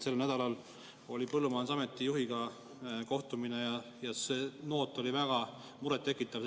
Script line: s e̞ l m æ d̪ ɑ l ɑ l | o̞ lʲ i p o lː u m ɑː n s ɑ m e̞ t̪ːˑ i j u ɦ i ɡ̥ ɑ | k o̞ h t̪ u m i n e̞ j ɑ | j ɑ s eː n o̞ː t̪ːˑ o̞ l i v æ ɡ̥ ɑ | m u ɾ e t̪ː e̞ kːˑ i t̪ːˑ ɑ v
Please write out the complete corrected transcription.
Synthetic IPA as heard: s e̞ l n æ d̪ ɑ l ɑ l | o̞ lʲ i p ɤ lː u m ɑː n s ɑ m e̞ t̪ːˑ i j u ɦ i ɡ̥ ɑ | k o̞ h t̪ u m i n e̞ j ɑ | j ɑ s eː n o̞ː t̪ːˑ o̞ l i v æ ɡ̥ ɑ | m u ɾ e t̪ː e̞ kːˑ i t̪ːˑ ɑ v